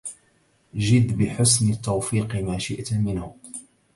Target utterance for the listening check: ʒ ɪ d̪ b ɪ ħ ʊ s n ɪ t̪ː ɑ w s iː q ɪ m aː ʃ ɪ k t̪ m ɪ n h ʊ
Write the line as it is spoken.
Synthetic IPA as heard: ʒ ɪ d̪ b ɪ ħ ʊ s n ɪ t̪ː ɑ w f iː q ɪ m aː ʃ ɪ ʔ t̪ m ɪ n h ʊ